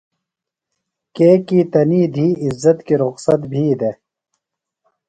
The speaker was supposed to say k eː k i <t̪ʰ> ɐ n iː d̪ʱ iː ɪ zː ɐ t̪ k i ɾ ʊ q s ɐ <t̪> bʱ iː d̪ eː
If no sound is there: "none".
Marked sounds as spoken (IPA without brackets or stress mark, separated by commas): t̪, t̪